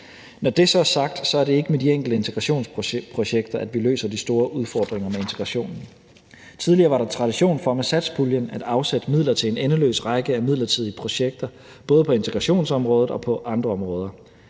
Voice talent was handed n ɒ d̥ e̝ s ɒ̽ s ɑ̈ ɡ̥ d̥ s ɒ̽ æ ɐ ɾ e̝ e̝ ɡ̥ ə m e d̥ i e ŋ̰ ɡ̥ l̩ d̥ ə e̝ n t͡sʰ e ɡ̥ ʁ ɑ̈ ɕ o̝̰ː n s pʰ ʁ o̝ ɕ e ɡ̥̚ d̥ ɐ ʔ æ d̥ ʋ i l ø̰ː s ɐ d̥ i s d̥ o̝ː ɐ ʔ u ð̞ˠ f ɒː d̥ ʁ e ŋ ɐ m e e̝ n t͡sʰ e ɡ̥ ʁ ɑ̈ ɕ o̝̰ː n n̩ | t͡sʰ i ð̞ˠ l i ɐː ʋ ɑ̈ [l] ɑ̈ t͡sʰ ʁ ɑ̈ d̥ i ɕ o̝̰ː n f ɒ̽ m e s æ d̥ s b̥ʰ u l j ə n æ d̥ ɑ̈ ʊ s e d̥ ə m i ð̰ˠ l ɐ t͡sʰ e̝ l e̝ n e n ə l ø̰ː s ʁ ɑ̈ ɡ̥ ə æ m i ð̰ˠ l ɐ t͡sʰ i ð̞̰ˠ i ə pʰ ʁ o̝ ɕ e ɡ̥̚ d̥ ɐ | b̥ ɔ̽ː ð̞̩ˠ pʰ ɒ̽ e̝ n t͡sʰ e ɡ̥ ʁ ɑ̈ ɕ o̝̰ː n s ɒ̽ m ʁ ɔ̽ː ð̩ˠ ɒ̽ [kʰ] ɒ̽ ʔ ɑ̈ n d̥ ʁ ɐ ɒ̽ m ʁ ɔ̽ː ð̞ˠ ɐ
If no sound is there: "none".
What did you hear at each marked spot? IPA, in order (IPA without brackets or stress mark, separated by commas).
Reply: ɾ, pʰ